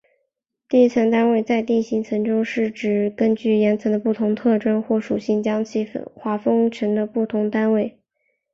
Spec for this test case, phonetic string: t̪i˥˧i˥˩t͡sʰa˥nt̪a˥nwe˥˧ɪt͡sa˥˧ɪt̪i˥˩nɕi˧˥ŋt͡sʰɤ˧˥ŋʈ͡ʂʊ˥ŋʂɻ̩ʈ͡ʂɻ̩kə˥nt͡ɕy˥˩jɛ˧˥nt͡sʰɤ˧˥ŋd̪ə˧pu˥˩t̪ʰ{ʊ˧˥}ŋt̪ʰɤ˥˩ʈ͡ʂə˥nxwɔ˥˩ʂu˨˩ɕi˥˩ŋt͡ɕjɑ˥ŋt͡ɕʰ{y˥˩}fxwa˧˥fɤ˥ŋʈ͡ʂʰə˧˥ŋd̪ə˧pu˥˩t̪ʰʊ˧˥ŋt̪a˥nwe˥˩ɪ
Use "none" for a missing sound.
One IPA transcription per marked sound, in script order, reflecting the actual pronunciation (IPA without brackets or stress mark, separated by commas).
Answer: ʊ˧˥, i˥˩